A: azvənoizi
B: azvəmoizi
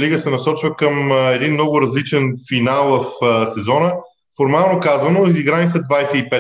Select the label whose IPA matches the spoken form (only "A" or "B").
A